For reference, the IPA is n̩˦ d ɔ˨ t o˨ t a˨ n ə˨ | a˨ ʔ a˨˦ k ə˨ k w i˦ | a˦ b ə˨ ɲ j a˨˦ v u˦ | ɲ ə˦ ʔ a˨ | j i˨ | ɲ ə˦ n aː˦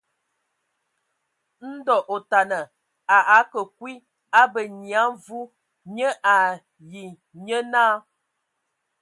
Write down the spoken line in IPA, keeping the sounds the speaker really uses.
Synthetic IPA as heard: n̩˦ d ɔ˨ ʔ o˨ t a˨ n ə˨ | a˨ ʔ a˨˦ k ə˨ k w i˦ | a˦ b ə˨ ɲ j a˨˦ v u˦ | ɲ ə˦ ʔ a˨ | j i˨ | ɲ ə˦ n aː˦